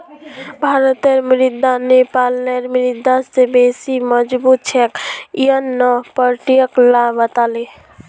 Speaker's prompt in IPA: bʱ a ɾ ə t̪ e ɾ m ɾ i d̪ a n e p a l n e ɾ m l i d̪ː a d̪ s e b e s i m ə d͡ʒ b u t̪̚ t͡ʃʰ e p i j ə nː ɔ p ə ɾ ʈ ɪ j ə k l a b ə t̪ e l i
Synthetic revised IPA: bʱ a ɾ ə t̪ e ɾ m ɾ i d̪ a n e p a l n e ɾ m ɾ i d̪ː a s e b e s i m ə d͡ʒ b u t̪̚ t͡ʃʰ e k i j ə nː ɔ p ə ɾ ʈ i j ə k l a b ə t̪ a l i